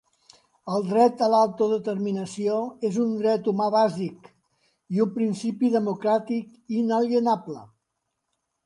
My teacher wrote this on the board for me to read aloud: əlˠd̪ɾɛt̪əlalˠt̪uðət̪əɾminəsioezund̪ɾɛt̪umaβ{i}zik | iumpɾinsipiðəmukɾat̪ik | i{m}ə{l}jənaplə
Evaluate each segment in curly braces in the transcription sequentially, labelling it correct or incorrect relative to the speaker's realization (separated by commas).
incorrect, incorrect, correct